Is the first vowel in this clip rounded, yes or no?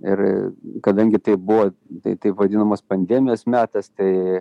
no